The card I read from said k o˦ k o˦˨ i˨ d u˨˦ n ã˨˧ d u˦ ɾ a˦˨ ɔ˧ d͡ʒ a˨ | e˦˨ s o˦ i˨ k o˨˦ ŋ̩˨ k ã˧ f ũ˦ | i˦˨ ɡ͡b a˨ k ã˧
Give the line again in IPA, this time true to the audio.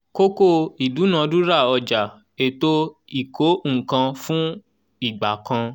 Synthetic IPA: k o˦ k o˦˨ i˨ d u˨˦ n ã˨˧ d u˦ ɾ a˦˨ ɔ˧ d͡ʒ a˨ | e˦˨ t o˦ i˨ k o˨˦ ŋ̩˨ k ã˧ f ũ˦ | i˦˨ ɡ͡b a˨ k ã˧